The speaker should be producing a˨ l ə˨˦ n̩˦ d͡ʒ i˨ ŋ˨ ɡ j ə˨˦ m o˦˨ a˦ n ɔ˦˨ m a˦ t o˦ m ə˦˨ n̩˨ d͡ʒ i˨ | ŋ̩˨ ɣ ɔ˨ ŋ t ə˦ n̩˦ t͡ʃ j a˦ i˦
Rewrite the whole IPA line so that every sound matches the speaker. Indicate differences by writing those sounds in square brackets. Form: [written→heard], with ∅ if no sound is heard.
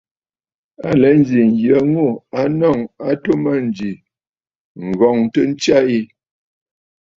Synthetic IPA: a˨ l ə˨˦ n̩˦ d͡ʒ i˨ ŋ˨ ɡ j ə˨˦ [m→ŋ] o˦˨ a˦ n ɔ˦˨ [m→ŋ] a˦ t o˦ m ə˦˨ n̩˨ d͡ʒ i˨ | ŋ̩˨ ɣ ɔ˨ ŋ t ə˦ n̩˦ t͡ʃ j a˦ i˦